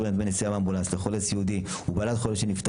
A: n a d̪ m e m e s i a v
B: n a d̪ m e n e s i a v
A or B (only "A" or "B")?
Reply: B